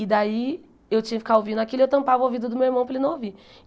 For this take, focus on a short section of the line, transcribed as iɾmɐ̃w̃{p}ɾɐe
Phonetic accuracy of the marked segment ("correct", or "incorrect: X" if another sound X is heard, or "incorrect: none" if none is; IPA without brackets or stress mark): correct